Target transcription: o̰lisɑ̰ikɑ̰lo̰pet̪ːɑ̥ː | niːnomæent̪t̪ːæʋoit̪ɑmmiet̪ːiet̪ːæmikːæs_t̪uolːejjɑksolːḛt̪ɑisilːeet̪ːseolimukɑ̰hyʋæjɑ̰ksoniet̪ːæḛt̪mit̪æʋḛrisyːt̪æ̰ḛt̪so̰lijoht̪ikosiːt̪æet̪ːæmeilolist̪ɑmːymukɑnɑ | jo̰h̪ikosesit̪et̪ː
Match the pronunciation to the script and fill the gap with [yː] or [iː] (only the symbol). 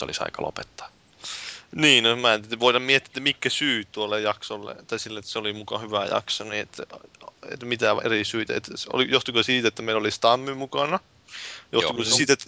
yː